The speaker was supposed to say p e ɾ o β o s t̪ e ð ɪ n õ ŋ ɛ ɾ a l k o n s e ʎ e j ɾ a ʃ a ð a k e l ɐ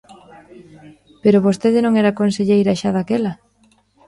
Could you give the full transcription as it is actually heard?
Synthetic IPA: p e ɾ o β o s t̪ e ð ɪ n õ ŋ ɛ ɾ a k o n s e ʎ e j ɾ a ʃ a ð a k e l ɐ